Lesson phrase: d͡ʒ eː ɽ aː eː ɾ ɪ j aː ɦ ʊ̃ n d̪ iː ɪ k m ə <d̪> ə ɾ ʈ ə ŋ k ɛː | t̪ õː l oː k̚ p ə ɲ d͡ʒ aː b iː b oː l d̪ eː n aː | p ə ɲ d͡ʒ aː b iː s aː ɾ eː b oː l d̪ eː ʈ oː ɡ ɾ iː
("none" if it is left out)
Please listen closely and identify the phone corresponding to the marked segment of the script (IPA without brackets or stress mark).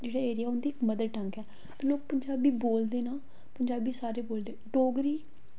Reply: d̪